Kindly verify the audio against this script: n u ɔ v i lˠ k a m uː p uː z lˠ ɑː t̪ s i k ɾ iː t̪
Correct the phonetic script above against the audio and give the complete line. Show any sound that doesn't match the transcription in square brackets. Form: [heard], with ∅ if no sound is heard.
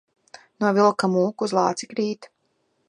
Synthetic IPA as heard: n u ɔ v i lˠ k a m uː [k] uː z lˠ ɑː t̪ s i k ɾ iː t̪